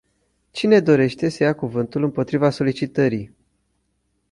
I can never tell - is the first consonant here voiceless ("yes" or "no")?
yes